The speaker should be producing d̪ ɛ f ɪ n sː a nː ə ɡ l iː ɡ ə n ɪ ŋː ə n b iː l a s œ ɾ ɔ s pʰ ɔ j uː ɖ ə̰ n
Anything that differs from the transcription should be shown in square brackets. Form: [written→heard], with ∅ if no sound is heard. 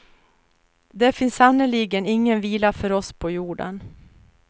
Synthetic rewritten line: d̪ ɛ f ɪ n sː a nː ə [ɡ→∅] l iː ɡ ə n ɪ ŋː ə n [b→v] iː l a [s→f] œ ɾ ɔ s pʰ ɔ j uː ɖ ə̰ n